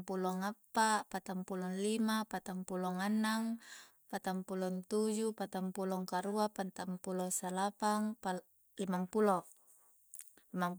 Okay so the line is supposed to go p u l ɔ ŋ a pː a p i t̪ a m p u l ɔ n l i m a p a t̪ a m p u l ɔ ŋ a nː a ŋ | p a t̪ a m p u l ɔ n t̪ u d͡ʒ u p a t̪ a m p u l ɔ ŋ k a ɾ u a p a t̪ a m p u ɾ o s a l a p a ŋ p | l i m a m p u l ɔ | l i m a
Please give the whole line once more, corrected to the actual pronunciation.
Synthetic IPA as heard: p u l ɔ ŋ a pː a p a t̪ a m p u l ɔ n l i m a p a t̪ a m p u l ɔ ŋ a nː a ŋ | p a t̪ a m p u l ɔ n t̪ u d͡ʒ u p a t̪ a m p u l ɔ ŋ k a ɾ u a p a t̪ a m p u l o s a l a p a ŋ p | l i m a m p u l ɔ | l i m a